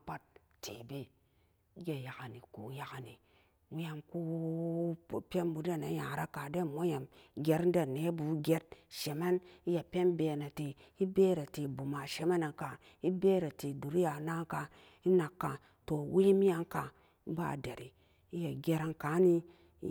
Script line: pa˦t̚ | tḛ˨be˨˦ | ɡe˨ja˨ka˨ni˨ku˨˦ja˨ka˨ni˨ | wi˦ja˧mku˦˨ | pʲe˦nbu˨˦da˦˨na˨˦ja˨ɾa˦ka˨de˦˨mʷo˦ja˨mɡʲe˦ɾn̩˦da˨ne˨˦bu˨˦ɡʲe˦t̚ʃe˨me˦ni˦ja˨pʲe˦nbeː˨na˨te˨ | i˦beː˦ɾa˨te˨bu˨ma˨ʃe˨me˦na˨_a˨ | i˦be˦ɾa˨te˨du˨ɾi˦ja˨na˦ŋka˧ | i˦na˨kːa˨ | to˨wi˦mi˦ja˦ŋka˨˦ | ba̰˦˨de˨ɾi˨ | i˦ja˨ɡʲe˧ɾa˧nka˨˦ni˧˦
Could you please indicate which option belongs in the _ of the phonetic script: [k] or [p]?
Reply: k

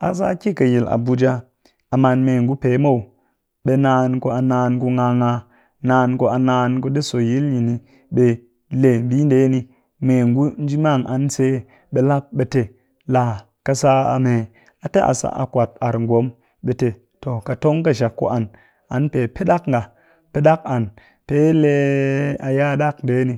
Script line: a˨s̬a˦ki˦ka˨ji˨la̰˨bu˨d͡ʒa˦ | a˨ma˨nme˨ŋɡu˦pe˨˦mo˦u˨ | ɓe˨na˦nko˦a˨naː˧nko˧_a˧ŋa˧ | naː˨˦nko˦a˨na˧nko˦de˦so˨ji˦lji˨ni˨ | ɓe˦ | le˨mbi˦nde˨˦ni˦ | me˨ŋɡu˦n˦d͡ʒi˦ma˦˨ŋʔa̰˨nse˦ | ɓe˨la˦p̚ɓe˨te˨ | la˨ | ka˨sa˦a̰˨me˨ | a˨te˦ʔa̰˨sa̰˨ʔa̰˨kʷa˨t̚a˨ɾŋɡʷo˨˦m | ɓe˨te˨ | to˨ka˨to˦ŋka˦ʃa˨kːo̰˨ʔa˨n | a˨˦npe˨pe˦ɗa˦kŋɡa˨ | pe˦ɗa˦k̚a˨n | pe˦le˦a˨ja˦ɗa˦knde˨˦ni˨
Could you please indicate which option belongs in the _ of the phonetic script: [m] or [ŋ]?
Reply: ŋ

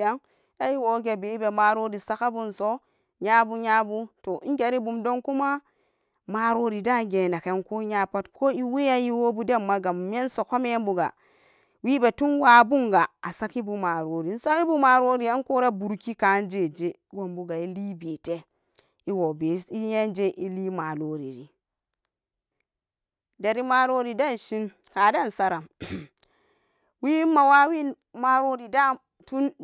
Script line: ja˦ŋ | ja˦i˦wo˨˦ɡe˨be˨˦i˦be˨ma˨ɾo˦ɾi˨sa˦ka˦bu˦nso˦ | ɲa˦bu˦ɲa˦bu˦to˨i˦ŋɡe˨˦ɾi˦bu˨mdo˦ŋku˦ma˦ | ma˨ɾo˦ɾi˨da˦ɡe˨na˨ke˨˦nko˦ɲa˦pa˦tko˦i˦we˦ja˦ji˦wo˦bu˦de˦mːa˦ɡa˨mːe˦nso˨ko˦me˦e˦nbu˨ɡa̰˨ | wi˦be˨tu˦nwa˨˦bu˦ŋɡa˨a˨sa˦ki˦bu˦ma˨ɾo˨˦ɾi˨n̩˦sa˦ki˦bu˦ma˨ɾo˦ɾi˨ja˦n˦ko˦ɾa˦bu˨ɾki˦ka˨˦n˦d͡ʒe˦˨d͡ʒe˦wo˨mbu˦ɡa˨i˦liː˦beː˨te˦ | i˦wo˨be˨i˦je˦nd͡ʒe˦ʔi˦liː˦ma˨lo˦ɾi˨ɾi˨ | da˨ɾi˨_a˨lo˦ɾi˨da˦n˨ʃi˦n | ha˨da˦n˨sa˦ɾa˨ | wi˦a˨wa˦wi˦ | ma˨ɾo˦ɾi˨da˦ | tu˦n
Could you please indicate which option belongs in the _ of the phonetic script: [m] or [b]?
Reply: m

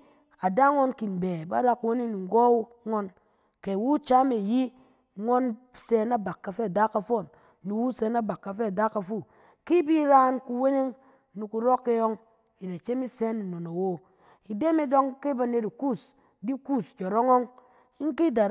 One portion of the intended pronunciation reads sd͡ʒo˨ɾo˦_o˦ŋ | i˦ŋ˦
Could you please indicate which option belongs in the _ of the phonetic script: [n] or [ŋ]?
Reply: ŋ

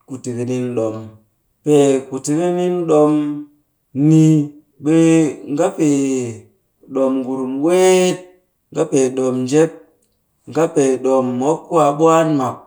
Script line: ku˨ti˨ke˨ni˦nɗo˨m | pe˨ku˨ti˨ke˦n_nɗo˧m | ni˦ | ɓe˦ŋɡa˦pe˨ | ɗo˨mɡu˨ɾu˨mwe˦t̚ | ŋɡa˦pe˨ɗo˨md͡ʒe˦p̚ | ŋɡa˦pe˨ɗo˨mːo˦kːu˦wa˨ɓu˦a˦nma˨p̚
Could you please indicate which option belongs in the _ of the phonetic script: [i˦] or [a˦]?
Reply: i˦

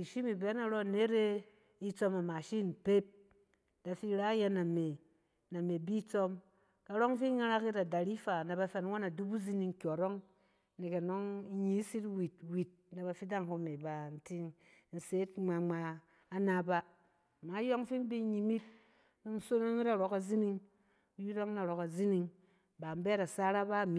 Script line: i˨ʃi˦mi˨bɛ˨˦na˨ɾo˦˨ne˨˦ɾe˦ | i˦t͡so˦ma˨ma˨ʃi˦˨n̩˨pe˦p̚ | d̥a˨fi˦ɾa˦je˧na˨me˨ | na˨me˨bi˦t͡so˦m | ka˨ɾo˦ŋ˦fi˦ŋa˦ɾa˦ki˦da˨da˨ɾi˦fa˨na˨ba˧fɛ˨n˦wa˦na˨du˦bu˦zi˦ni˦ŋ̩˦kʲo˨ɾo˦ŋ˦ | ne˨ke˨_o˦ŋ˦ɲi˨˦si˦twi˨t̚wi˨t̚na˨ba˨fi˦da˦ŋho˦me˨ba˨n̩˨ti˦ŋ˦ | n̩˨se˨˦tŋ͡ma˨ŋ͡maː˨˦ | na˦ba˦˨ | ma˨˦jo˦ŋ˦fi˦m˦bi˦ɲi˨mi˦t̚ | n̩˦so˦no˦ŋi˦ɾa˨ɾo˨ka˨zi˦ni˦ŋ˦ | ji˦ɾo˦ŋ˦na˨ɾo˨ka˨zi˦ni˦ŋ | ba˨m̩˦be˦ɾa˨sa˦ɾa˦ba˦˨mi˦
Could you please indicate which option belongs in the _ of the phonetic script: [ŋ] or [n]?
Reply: n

